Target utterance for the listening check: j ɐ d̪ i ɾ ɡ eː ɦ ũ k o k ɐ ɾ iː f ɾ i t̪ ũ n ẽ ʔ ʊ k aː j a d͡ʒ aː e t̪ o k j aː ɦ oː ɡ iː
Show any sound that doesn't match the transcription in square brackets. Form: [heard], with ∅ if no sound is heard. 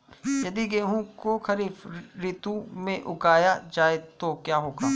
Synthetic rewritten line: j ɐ d̪ i [∅] ɡ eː ɦ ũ k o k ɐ ɾ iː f ɾ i t̪ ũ [m] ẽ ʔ ʊ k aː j a d͡ʒ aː e t̪ o k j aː ɦ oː ɡ [aː]